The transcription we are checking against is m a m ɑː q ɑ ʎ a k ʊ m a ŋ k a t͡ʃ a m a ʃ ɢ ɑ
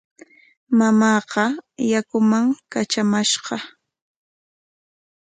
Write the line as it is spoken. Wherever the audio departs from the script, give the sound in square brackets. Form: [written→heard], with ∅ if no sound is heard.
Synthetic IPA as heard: m a m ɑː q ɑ [ʎ→j] a k ʊ m a ŋ k a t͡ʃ a m a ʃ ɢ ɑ